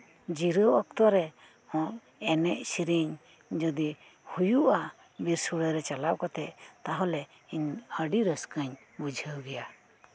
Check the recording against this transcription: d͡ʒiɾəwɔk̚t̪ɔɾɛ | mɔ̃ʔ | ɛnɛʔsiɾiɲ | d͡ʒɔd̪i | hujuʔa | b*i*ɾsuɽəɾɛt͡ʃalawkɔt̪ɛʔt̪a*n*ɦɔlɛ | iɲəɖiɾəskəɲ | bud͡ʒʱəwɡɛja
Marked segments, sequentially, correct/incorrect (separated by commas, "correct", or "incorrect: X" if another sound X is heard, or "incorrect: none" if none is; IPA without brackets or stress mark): correct, incorrect: none